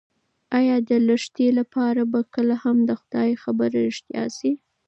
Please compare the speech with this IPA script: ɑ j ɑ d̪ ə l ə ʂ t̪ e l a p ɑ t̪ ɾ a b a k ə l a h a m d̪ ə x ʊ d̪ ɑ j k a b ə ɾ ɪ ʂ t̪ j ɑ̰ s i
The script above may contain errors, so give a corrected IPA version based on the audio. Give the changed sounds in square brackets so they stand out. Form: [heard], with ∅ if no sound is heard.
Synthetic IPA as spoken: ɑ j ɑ d̪ ə l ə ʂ t̪ e l a p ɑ [∅] ɾ a b a k ə l a h a m d̪ ə x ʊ d̪ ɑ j [x] a b ə ɾ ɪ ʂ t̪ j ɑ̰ s i